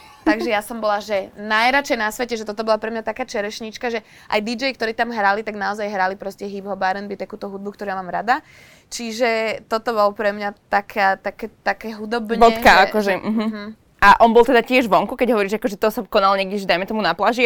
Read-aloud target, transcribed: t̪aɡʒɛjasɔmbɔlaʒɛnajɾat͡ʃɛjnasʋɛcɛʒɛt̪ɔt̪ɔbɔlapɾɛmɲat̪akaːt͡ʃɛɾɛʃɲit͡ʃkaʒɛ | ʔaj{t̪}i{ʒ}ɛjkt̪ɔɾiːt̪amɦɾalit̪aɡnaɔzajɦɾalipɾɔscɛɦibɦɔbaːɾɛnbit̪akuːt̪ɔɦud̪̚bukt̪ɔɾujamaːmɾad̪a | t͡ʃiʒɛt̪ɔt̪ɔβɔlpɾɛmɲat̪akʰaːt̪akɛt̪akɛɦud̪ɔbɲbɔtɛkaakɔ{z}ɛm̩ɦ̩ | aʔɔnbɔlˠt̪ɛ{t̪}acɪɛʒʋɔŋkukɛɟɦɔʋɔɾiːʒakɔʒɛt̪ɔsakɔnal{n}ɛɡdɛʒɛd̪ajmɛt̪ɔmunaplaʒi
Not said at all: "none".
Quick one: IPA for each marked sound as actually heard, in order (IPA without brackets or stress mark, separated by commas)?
d̪, d͡ʒ, ʒ, d̪, ɲ